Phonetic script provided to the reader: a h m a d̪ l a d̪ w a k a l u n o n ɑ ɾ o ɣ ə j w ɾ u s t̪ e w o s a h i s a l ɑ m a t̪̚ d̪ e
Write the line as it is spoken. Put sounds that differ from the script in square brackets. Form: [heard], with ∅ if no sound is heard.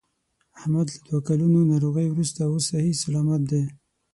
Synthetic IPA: a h m a d̪ l a d̪ w a k a l u n o n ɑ ɾ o ɣ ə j w ɾ u s t̪ [a] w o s a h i s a l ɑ m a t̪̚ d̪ e